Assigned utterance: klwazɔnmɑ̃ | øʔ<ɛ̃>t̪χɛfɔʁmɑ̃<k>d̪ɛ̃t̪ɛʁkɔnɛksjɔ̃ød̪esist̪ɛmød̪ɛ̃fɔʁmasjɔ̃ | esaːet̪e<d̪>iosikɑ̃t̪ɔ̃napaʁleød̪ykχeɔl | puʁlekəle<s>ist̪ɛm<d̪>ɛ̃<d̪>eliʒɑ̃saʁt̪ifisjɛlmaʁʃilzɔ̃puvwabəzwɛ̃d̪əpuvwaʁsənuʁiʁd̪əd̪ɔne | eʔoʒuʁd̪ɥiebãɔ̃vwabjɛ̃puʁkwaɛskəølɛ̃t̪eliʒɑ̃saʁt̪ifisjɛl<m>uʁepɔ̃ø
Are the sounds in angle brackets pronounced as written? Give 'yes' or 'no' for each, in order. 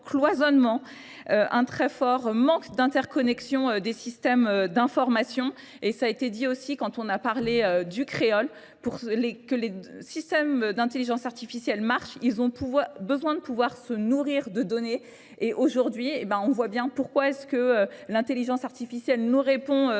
yes, yes, yes, yes, yes, no, no

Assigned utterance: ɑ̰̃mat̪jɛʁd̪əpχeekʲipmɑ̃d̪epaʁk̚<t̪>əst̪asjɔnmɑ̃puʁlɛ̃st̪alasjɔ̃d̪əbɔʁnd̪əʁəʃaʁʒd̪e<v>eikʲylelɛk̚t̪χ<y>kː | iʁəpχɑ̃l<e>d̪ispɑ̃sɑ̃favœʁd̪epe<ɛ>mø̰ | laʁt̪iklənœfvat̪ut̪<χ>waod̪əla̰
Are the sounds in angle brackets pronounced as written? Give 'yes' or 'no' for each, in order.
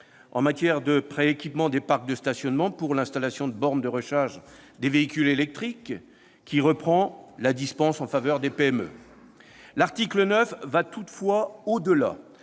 no, yes, no, no, yes, no

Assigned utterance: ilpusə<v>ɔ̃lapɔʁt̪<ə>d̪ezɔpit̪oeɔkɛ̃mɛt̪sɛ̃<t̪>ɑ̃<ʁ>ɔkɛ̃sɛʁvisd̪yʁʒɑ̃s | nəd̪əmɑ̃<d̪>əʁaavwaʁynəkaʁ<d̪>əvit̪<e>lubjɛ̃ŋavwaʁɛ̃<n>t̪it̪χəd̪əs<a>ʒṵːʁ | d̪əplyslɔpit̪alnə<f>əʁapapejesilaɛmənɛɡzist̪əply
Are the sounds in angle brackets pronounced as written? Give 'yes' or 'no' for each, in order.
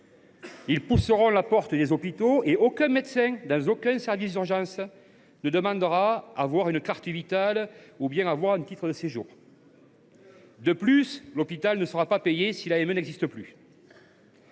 no, yes, no, no, yes, no, no, yes, no, no

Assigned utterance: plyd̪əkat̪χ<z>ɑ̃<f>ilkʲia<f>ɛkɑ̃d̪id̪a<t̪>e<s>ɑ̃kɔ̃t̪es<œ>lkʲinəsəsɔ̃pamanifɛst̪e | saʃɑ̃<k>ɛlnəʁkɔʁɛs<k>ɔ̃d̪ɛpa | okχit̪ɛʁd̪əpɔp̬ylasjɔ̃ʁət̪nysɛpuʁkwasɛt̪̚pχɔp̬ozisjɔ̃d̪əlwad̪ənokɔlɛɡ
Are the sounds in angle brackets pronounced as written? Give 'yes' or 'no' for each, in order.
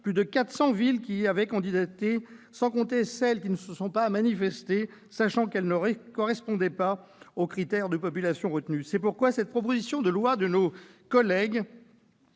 no, no, no, yes, yes, no, yes, no

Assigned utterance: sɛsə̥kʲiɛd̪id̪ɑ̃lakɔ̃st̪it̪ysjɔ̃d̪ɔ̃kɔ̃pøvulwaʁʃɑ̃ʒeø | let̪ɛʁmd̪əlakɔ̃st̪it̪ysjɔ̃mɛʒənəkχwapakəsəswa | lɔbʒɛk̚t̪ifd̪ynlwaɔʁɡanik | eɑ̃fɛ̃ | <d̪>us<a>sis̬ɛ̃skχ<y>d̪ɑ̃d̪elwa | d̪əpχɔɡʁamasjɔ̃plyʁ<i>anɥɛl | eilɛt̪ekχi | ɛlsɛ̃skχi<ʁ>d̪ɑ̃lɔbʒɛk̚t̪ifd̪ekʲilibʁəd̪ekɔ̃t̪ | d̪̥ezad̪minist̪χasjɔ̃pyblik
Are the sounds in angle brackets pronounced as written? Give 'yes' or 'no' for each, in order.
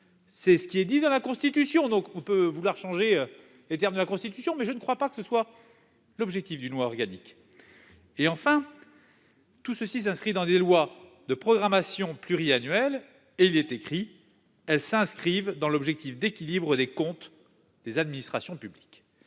no, no, no, yes, no

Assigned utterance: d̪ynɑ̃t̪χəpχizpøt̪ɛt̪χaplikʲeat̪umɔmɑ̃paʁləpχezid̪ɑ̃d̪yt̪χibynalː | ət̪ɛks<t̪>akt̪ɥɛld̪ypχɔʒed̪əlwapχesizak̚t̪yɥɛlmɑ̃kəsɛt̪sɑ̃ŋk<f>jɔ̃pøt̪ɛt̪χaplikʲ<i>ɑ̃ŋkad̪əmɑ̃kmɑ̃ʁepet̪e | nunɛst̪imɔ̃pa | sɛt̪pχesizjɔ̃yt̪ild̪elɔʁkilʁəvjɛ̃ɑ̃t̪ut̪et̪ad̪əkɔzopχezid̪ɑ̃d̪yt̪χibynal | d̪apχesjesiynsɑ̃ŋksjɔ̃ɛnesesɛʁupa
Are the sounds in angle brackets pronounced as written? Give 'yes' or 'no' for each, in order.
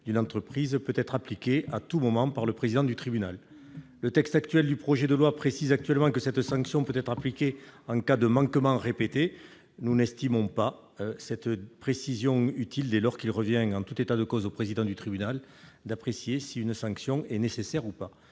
yes, no, no

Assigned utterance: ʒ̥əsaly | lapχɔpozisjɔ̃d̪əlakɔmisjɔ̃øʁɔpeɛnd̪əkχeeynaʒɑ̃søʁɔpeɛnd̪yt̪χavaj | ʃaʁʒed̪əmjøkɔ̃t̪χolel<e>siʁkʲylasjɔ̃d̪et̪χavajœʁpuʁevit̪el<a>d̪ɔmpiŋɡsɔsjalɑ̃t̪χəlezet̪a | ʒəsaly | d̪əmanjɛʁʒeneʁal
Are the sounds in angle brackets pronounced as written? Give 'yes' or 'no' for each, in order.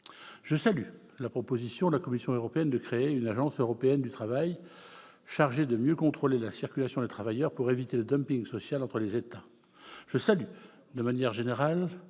no, no

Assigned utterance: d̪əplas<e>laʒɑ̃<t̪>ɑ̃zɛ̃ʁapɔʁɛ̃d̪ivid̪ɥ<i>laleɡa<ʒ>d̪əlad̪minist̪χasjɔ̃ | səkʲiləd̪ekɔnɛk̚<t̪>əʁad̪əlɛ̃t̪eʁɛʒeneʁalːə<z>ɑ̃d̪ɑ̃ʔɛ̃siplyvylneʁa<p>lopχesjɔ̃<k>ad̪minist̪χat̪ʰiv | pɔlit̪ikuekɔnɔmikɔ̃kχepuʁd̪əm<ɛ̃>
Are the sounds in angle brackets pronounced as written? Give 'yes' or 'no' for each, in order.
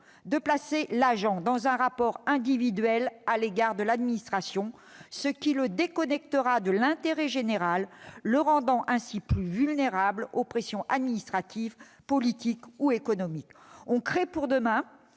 yes, no, no, no, yes, no, no, no, yes

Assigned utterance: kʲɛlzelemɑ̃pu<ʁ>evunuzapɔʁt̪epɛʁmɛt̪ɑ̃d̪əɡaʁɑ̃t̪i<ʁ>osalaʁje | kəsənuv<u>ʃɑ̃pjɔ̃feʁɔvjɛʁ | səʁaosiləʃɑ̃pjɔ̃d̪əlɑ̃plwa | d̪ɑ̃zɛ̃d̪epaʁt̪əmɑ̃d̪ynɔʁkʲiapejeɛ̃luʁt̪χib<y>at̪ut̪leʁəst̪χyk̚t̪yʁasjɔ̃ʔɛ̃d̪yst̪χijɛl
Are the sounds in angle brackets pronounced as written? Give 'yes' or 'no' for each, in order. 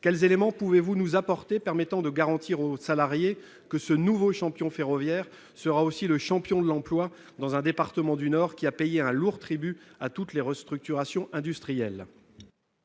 no, yes, no, yes

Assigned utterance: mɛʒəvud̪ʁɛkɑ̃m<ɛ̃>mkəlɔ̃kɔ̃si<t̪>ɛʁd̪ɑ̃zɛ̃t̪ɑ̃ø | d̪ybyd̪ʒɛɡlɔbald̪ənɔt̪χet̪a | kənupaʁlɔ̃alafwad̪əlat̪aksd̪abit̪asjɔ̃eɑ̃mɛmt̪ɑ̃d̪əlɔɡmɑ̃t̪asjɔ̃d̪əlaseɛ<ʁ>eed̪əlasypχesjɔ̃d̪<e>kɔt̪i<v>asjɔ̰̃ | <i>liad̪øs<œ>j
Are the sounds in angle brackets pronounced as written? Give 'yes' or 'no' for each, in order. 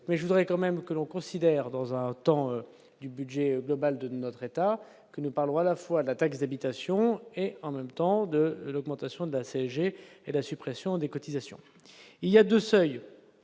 no, no, no, yes, no, yes, yes

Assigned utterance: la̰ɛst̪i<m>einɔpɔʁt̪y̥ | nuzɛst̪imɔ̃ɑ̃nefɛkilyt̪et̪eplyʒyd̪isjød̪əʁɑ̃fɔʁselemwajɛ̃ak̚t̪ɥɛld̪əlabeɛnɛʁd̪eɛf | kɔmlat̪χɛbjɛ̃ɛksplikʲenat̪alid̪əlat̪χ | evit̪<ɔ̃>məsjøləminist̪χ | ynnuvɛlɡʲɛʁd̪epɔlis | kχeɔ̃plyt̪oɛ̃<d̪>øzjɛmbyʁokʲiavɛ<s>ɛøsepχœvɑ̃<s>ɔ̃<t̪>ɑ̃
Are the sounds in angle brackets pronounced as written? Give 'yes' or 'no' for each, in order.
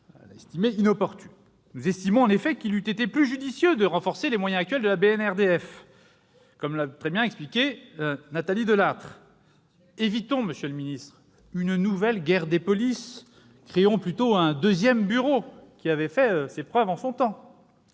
yes, yes, yes, no, yes, yes

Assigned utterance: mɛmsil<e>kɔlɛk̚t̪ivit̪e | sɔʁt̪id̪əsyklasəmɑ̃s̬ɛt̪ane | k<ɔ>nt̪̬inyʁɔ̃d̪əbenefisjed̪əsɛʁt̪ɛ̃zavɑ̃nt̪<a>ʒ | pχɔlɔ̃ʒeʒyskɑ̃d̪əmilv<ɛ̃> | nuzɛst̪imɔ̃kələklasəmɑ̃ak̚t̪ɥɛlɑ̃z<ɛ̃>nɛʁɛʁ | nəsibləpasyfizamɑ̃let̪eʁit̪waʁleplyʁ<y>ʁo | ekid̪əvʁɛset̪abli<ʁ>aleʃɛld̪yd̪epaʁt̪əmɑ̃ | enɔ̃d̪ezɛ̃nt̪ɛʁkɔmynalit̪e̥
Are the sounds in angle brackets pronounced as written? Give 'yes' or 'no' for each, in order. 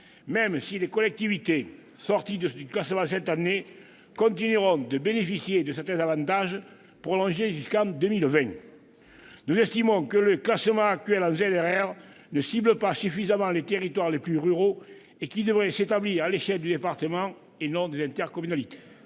yes, no, yes, yes, no, yes, yes

